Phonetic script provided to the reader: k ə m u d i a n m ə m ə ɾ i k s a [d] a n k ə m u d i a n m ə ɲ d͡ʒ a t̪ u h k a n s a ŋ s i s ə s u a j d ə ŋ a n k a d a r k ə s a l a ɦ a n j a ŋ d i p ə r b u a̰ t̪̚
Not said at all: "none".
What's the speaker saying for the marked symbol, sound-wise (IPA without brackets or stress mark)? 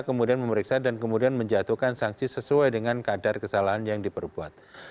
d